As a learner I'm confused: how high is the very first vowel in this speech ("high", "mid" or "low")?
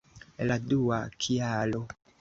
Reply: low